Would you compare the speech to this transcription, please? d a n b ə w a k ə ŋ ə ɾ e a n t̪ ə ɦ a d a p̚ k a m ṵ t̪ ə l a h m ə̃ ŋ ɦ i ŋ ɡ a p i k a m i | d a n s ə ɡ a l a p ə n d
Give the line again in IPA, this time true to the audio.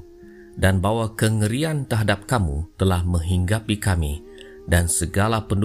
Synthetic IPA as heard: d a n b a w a k ə ŋ ə ɾ i a n t̪ ə ɦ a d a p̚ k a m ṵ t̪ ə l a h m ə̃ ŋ ɦ i ŋ ɡ a p i k a m i | d a n s ə ɡ a l a p ə n d